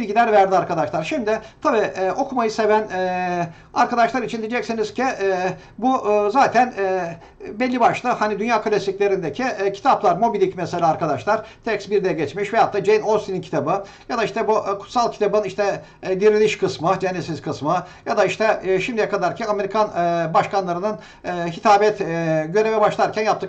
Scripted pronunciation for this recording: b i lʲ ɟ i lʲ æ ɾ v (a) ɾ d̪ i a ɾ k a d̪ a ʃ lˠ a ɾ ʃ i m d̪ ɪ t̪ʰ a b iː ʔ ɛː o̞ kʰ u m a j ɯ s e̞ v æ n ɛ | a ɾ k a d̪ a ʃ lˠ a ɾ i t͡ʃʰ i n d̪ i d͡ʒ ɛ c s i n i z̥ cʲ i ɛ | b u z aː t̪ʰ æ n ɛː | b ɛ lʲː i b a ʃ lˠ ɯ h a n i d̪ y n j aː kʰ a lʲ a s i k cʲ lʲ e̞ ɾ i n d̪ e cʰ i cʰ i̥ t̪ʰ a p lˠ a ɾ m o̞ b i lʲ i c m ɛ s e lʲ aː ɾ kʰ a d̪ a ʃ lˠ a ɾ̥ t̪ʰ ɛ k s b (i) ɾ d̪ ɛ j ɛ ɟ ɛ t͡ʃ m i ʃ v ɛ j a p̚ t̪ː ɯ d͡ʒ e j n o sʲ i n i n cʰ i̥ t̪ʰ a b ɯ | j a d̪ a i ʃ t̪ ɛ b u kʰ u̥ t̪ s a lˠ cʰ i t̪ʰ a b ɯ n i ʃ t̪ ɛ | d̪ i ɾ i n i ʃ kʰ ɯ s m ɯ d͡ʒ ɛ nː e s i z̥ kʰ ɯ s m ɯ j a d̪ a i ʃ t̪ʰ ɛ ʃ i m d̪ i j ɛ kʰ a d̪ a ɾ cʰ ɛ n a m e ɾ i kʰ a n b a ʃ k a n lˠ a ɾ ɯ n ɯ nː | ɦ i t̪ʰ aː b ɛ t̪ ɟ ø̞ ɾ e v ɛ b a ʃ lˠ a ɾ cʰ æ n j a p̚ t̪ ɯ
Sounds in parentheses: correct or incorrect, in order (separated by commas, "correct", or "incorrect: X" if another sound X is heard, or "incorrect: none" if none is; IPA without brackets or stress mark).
incorrect: æ, correct